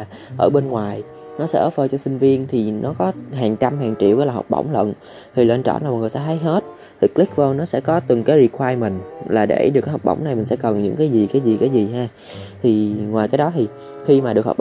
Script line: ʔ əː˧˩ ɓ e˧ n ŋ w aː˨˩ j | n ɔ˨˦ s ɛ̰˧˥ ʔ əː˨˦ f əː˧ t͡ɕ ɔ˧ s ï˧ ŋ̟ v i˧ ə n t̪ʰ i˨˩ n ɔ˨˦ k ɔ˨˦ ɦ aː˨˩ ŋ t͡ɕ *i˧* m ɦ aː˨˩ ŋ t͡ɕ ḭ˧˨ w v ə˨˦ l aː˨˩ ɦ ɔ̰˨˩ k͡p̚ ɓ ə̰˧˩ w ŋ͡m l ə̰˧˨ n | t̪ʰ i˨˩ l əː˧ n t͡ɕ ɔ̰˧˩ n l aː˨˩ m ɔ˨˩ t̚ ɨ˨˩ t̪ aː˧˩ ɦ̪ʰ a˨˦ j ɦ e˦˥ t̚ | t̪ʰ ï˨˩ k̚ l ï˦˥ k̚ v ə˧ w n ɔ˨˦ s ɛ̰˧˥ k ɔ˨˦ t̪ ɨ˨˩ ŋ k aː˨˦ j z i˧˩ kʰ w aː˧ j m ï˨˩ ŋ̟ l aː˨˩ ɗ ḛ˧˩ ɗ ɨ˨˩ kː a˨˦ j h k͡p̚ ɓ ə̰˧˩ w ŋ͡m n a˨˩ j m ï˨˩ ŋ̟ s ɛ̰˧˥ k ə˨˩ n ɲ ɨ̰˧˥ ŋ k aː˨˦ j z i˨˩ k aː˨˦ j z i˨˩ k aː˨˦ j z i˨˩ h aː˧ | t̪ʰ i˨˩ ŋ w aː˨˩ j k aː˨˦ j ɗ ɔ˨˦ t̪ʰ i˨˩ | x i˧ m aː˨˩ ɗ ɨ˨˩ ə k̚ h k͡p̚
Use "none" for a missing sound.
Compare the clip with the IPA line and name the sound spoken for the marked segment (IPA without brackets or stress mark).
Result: a˧